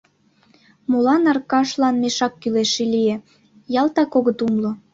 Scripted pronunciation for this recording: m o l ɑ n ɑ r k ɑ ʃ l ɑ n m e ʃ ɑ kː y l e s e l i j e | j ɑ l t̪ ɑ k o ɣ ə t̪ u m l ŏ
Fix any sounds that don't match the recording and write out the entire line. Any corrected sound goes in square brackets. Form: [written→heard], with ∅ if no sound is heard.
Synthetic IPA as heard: m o l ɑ n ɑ r k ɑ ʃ l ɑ n m e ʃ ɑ kː y l e [s→ʃ] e l i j e | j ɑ l t̪ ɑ k o ɣ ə t̪ u m l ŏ